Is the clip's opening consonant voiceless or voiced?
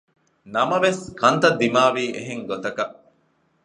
voiced